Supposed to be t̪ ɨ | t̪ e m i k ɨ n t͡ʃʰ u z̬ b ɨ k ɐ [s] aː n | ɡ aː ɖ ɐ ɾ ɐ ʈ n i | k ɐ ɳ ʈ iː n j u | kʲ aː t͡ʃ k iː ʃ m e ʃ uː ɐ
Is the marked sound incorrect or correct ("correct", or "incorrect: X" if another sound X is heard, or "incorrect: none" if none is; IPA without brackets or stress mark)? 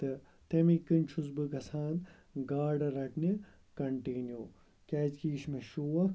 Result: correct